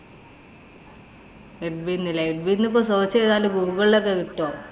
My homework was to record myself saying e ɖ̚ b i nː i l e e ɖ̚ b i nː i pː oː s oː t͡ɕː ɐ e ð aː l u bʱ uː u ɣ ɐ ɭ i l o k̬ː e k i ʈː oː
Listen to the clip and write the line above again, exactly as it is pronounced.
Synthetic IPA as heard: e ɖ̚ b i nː i l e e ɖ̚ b i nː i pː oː s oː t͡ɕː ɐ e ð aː l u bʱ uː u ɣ ɐ ɭ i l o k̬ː e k i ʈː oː

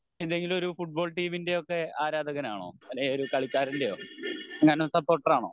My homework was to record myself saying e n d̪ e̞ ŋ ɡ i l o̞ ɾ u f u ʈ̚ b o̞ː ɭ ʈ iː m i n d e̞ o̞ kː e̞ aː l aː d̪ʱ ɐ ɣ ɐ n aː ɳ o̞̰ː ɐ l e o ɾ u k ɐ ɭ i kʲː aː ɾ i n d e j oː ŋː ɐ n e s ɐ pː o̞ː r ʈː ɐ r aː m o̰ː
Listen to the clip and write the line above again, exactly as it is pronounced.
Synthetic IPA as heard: e n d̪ e̞ ŋ ɡ i l o̞ ɾ u f u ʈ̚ b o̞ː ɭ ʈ iː m i n d e̞ o̞ kː e̞ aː ɾ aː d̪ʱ ɐ ɣ ɐ n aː ɳ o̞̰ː ɐ l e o ɾ u k ɐ ɭ i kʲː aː ɾ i n d e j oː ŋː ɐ n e s ɐ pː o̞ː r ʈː ɐ r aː ɳ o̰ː

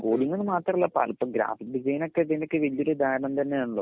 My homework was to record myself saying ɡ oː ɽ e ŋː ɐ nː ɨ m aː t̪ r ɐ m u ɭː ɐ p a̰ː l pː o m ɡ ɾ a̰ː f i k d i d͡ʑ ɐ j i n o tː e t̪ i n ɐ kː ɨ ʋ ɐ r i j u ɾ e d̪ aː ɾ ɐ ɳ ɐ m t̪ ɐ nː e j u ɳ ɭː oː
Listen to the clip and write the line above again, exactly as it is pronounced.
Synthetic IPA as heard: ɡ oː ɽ i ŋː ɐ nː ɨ m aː t̪ r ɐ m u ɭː ɐ p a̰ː l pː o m ɡ ɾ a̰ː f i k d i d͡ʑ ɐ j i n o kː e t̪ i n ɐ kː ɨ ʋ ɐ l i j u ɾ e d̪ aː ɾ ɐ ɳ ɐ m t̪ ɐ nː e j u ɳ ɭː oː

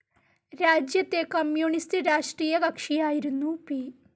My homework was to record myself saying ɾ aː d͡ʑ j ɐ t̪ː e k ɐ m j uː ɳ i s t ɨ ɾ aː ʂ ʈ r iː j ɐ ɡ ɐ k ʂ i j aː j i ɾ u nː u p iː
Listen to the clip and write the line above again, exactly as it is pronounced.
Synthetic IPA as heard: ɾ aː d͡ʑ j ɐ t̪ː e k ɐ m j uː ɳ i s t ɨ ɾ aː ʂ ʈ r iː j ɐ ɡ ɐ k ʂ i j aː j i ɾ u nː u p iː

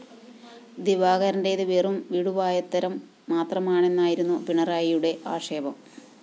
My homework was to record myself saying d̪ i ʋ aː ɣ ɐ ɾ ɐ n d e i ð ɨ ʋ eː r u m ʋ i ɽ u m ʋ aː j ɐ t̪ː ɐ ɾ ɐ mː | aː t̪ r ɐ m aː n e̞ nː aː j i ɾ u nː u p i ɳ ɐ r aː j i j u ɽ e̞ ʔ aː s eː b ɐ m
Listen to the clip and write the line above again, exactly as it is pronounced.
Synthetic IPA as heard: d̪ i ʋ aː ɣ ɐ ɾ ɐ n d e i ð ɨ ʋ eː r u m ʋ i ɽ u ʋ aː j ɐ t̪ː ɐ ɾ ɐ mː | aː t̪ r ɐ m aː ɳ e̞ nː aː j i ɾ u nː u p i ɳ ɐ r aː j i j u ɽ e̞ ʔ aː ʂ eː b ɐ m

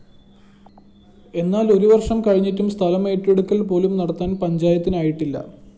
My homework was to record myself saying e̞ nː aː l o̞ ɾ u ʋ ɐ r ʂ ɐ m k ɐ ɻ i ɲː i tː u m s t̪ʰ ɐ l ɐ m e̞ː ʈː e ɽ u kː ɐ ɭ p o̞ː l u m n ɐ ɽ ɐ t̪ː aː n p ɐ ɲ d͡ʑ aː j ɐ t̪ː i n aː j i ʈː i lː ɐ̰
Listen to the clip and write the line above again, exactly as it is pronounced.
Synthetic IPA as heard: e̞ nː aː l o̞ ɾ u ʋ ɐ r ʂ ɐ m k ɐ ɻ i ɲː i tː u m s t̪ʰ ɐ l ɐ m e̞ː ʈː e ɽ u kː ɐ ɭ p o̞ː l u m n ɐ ɽ ɐ t̪ː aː n p ɐ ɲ d͡ʑ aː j ɐ t̪ː i n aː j i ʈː i lː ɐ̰

